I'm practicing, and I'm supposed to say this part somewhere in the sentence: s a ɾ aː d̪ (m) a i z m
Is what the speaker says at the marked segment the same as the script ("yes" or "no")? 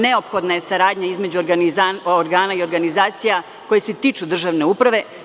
no